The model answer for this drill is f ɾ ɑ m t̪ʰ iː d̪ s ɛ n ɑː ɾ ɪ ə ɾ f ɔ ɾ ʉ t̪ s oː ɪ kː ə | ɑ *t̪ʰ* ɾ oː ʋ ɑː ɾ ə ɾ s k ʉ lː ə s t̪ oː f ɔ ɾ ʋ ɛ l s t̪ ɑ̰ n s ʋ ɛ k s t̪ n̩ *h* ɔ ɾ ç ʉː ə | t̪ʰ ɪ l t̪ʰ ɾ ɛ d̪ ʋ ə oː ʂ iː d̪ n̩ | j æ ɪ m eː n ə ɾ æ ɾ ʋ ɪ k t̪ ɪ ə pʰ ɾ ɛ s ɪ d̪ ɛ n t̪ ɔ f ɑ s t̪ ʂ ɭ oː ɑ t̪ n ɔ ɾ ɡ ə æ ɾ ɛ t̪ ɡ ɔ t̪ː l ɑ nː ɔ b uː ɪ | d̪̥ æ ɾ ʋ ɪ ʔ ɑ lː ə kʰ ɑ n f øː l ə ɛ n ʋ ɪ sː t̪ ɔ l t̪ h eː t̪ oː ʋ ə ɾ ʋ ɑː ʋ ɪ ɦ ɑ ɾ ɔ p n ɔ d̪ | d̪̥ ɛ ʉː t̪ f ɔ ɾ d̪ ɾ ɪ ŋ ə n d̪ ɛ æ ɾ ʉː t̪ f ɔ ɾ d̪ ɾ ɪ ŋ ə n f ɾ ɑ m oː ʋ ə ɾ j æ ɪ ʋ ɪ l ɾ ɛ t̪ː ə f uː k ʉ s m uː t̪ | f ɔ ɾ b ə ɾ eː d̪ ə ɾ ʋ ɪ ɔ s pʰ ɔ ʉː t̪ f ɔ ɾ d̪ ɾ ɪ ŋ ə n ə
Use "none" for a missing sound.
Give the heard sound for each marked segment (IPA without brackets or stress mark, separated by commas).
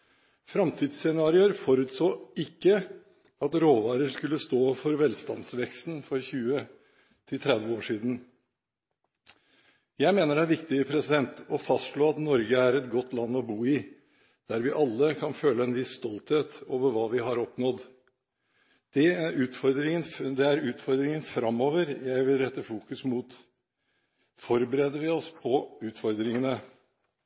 t̪, f